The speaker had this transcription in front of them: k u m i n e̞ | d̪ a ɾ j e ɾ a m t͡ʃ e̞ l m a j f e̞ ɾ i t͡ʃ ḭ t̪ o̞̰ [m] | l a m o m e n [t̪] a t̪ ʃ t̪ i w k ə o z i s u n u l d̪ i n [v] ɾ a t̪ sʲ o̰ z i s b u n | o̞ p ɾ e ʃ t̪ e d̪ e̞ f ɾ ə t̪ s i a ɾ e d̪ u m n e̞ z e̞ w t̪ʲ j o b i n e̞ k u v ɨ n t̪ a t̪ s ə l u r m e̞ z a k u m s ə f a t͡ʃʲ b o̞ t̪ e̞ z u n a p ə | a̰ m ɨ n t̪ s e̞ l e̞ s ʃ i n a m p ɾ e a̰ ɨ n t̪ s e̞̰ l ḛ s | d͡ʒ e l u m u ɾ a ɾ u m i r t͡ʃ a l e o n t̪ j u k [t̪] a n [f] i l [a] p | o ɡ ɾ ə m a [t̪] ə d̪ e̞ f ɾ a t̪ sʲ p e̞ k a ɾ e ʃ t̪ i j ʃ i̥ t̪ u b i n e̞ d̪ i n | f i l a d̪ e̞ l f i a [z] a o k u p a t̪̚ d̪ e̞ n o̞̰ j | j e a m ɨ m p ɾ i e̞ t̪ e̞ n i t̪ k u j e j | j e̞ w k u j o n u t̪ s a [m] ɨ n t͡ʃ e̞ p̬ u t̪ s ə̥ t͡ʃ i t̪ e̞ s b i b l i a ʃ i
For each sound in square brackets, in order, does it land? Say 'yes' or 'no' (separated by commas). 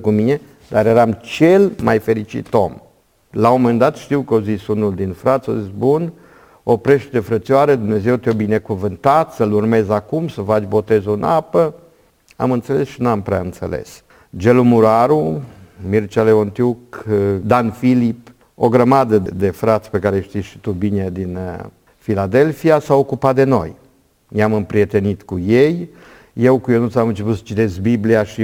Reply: yes, no, no, no, yes, no, no, no, yes